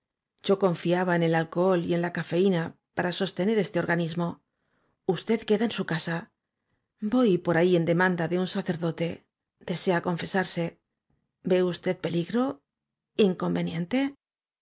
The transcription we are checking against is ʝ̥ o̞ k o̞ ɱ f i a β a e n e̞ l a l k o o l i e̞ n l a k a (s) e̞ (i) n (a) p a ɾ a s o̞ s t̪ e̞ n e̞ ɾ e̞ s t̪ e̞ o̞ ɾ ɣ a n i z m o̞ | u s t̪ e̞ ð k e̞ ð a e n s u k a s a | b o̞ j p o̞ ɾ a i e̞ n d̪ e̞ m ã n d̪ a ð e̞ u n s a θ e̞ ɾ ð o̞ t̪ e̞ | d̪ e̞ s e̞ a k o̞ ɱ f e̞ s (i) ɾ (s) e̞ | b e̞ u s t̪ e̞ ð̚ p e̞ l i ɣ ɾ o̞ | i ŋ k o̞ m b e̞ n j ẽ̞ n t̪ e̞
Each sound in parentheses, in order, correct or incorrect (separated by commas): incorrect, correct, correct, incorrect, correct